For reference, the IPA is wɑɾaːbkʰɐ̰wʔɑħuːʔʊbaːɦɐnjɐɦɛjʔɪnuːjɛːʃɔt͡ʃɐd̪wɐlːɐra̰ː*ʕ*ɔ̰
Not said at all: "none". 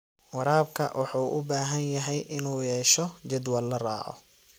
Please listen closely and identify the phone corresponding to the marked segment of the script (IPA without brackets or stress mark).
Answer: ʕ